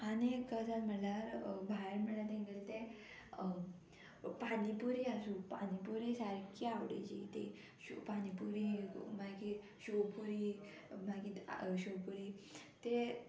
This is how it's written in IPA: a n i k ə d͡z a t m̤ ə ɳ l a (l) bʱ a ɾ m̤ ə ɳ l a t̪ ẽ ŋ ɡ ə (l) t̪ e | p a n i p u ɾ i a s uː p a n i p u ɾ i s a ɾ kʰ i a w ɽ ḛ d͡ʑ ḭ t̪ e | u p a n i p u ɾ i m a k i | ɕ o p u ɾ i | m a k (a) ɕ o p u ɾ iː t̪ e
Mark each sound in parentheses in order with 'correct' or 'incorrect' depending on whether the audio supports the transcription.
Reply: incorrect, correct, incorrect

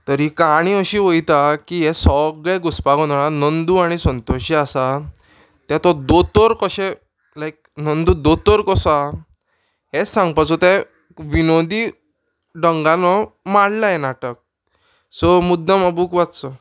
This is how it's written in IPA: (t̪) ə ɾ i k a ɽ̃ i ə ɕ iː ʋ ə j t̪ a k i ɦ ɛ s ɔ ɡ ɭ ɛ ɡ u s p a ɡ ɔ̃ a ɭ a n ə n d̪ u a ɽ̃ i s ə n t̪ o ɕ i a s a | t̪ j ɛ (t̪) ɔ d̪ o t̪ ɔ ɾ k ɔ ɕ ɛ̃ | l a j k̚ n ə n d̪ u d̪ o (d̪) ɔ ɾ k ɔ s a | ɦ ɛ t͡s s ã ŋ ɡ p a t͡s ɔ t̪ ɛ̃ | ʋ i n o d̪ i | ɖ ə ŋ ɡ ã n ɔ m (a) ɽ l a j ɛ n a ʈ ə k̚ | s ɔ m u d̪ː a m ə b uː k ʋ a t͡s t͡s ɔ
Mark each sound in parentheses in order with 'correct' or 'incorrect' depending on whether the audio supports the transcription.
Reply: correct, correct, incorrect, correct

